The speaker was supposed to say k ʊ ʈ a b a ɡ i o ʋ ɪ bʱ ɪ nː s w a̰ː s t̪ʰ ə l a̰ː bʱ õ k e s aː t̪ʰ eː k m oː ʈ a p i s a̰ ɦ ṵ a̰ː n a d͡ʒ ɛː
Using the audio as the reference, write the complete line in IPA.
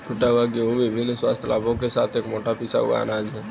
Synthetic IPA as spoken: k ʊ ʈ a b a ɡ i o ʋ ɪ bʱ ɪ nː s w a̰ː s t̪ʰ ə l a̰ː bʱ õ k e s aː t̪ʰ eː k m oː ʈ a p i s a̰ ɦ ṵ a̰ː n a d͡ʒ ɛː